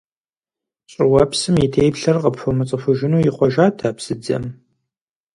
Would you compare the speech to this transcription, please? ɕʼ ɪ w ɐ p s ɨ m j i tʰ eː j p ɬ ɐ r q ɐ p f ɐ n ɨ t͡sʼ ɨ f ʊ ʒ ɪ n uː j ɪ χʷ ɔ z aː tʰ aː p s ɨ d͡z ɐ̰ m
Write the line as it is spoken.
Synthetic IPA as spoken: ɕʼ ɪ w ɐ p s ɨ m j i tʰ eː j p ɬ ɐ r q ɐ p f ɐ m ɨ t͡sʼ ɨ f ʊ ʒ ɪ n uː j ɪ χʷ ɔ ʒ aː tʰ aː p s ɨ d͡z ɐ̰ m